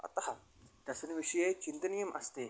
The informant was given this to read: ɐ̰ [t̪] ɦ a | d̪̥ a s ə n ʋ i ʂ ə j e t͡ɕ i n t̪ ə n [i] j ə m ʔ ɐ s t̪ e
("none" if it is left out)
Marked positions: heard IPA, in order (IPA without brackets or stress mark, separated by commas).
t̪, i